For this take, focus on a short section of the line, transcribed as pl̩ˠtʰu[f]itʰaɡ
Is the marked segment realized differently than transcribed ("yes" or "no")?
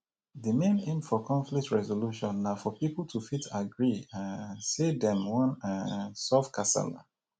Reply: no